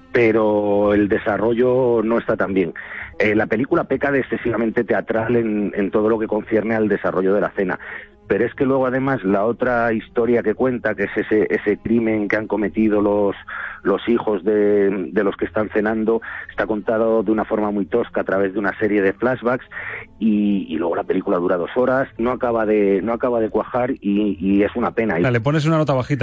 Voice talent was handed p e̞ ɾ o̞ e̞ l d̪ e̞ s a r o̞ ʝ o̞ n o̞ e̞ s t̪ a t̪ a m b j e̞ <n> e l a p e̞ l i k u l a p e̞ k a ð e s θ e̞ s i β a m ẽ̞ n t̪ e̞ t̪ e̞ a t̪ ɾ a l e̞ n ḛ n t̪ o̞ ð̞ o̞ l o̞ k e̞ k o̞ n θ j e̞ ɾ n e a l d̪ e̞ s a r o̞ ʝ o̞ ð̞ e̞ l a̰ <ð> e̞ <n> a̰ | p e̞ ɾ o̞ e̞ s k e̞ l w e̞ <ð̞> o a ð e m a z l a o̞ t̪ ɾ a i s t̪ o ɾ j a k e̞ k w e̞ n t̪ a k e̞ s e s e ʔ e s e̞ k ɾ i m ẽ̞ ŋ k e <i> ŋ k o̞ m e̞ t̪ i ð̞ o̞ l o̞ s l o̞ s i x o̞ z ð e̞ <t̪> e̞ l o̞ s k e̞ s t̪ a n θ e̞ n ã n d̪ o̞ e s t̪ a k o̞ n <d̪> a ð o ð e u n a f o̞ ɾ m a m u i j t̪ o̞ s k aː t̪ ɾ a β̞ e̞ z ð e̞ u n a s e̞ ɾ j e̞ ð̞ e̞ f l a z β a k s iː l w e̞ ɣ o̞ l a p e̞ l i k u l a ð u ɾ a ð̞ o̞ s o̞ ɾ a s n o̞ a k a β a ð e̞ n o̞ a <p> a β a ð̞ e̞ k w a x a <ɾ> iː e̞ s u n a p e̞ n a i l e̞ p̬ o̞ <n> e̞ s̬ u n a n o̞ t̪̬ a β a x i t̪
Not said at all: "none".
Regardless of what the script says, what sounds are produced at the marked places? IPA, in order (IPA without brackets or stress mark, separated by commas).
ŋ, θ, n, ɣ̞, a, d̪, t̪, k, ɾ, n